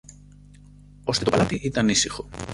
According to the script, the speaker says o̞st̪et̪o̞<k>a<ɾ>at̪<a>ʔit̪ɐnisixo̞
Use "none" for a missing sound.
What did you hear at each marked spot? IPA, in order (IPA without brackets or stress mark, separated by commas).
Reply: p, l, i